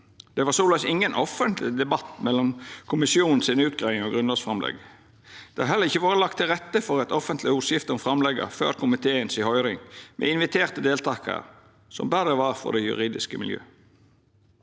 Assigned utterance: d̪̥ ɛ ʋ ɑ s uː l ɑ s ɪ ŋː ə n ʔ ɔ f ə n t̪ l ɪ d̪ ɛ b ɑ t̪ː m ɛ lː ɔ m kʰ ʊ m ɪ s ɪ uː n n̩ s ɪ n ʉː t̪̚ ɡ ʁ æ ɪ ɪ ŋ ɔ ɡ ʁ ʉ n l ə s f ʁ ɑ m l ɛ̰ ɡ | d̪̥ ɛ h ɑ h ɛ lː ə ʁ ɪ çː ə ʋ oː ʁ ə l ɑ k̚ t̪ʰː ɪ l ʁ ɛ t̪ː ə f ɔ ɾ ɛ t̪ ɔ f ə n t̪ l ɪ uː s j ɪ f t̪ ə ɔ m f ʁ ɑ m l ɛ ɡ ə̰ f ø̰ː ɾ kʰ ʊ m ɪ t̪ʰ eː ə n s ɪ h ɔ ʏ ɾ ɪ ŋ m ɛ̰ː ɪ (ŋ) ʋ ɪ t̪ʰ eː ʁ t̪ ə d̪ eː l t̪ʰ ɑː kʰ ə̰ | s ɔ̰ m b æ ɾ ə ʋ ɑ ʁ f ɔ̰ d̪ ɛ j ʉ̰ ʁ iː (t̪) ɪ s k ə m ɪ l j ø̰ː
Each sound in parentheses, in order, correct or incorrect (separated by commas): incorrect, incorrect